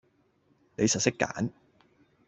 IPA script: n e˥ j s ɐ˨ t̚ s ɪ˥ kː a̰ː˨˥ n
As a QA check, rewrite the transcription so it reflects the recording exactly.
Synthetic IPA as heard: n e˨˧ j s ɐ˨ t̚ s ɪ˥ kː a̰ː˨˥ n